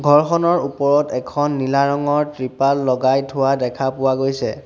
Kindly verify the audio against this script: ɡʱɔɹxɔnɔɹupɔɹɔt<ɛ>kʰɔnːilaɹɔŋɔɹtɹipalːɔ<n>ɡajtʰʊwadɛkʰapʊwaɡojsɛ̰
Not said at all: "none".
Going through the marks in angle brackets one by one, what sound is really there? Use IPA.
ɛ, none

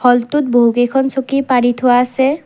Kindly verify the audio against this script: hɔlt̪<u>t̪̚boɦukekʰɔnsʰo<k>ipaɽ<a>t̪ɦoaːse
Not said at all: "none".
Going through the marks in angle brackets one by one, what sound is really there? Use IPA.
u, k, i

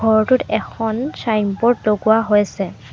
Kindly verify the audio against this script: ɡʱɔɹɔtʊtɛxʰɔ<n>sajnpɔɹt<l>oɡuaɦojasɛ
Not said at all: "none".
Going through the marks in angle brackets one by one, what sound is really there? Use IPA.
n, l

